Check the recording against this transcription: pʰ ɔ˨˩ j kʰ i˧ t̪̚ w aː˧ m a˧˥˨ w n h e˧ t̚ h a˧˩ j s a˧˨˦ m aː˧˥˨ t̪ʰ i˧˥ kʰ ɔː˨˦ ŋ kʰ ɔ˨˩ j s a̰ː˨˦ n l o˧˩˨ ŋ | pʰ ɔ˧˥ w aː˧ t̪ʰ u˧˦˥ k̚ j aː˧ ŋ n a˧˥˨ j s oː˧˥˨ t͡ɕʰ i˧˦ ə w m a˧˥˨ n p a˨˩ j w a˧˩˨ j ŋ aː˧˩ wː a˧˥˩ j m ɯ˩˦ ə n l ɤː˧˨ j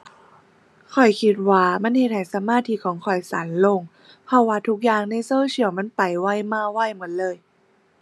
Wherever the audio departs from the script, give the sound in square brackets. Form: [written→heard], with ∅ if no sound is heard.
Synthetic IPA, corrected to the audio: [pʰ→kʰ] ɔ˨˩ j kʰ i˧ t̪̚ w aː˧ m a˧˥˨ [w→∅] n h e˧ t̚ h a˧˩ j s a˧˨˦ m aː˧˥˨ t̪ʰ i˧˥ kʰ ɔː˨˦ ŋ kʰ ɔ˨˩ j s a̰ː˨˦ n l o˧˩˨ ŋ | pʰ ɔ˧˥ w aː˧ t̪ʰ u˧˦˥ k̚ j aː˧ ŋ n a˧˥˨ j s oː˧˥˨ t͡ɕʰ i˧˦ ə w m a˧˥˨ n p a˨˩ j w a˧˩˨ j [ŋ→m] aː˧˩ [wː→w] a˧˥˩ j m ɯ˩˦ ə n l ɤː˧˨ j

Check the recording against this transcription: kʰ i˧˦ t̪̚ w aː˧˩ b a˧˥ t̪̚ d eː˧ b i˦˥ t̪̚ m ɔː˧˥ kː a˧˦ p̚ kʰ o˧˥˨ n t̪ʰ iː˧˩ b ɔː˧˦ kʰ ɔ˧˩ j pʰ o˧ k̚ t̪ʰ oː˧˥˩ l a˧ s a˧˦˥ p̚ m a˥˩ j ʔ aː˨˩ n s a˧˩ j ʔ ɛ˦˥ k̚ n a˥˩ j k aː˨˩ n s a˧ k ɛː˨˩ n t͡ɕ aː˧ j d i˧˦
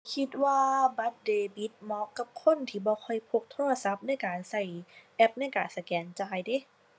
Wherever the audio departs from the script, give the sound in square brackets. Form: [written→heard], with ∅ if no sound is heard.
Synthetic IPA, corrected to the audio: kʰ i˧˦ t̪̚ w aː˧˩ b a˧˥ t̪̚ d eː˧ b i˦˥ t̪̚ m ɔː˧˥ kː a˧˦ p̚ kʰ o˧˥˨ n t̪ʰ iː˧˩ b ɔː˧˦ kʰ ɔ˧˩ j pʰ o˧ k̚ t̪ʰ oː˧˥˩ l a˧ s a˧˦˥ p̚ [m→n] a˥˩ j [ʔ→k] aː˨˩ n s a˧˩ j ʔ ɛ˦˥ [k̚→p̚] n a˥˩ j k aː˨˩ n s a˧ k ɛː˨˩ n t͡ɕ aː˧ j d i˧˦

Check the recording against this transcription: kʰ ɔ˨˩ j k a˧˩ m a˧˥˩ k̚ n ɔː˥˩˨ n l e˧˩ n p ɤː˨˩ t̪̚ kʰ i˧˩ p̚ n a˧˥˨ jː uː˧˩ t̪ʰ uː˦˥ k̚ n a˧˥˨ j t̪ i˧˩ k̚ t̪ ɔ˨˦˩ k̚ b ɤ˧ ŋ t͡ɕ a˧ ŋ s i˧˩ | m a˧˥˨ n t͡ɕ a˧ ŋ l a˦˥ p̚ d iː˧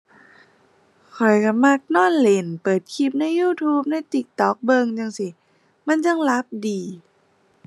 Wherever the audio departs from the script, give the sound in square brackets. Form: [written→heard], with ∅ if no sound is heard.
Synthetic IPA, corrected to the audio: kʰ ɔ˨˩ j k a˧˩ m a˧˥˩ k̚ n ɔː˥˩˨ n l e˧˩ n p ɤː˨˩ t̪̚ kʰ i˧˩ p̚ n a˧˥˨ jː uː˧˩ t̪ʰ uː˦˥ [k̚→p̚] n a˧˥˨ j t̪ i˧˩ k̚ t̪ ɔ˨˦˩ k̚ b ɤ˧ ŋ t͡ɕ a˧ ŋ s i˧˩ | m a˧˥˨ n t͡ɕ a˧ ŋ l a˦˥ p̚ d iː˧

